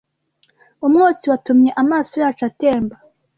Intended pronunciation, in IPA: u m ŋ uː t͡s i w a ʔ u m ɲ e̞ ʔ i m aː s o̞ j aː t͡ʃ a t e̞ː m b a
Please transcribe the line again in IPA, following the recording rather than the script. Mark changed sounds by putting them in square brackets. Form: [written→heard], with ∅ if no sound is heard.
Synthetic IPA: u m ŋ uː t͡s i w a [ʔ→t] u m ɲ e̞ ʔ [i→a] m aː s o̞ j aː t͡ʃ a t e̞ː m b a